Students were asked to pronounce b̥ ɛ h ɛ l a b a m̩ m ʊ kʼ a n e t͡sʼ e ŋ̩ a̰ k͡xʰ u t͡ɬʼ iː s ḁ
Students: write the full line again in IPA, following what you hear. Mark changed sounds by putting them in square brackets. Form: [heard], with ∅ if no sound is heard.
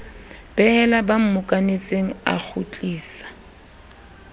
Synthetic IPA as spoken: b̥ ɛ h ɛ l a b a m̩ m ʊ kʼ a n e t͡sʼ e ŋ̩ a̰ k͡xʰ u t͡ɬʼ iː s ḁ